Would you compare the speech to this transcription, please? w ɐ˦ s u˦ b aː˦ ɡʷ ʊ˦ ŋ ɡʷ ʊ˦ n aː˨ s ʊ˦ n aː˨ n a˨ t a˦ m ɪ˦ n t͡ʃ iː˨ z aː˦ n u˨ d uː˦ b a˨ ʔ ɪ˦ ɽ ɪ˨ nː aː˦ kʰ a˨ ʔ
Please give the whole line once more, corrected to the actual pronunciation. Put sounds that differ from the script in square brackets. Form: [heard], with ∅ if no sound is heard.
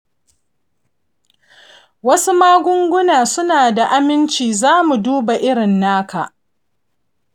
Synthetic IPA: w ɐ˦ s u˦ [m] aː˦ ɡʷ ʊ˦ ŋ ɡʷ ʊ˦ n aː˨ s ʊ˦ n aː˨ [d] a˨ [ʔ] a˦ m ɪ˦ n t͡ʃ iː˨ z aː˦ [m] u˨ d uː˦ b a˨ ʔ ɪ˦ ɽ ɪ˨ nː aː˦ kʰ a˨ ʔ